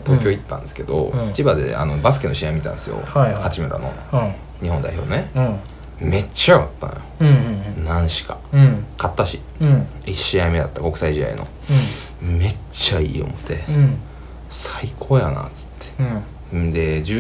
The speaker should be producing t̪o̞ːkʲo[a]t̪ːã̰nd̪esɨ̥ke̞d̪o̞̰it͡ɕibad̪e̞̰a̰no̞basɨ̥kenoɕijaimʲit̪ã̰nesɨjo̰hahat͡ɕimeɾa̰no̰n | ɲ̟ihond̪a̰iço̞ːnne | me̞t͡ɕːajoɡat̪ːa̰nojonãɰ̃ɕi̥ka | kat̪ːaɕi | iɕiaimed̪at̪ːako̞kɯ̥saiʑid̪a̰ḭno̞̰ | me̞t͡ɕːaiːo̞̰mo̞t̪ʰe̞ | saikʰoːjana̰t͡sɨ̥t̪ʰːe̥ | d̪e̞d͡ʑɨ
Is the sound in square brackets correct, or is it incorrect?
incorrect